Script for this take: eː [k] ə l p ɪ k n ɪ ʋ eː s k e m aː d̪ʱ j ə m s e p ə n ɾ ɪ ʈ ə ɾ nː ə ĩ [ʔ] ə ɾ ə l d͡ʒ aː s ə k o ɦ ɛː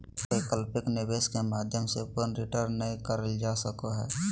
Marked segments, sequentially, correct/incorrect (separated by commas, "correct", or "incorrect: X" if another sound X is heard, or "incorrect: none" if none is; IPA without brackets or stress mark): correct, incorrect: k